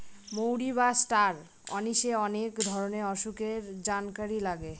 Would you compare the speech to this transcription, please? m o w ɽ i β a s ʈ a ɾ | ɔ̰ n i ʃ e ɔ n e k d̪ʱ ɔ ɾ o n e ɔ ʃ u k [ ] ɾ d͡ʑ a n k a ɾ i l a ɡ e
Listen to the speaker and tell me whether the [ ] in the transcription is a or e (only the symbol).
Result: e